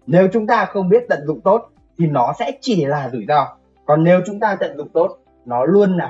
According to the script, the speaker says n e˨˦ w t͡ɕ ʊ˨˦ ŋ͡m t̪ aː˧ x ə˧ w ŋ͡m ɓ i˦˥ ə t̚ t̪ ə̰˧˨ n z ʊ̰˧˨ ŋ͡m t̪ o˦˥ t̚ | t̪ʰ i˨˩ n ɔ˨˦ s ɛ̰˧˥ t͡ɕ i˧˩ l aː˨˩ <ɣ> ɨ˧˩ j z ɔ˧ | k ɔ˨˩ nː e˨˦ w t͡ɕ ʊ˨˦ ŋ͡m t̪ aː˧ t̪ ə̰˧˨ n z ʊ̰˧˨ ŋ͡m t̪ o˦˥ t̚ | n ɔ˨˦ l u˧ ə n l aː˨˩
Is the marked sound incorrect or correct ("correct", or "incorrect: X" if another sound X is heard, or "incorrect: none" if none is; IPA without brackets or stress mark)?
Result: incorrect: z